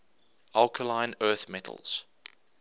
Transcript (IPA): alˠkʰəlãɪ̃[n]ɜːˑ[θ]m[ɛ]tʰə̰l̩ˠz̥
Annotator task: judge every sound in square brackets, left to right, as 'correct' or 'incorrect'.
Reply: correct, correct, correct

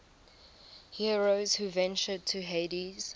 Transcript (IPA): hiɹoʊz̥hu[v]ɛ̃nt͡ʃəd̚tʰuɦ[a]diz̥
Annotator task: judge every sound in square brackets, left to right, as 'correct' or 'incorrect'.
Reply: correct, incorrect: e

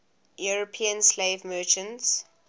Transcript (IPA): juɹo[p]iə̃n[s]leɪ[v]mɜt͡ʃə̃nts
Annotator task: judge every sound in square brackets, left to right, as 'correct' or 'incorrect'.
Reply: incorrect: pʰ, correct, correct

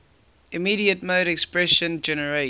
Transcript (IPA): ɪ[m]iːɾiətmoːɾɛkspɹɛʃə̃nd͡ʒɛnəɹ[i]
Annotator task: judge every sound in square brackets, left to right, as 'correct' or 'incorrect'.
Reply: correct, incorrect: e

